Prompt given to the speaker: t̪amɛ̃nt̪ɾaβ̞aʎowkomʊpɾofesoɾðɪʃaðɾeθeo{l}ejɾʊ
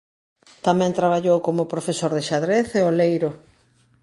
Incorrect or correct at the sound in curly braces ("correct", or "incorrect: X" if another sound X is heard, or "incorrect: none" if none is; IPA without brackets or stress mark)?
correct